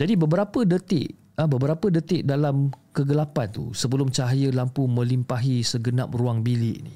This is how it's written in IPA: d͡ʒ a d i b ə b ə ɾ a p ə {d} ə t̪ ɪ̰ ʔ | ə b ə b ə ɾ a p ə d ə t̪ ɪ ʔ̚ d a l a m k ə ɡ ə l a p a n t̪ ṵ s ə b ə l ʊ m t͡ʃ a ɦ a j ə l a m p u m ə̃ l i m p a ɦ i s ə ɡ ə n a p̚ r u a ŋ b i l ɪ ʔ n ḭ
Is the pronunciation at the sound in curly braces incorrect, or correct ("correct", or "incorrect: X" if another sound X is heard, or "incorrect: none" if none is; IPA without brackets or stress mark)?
correct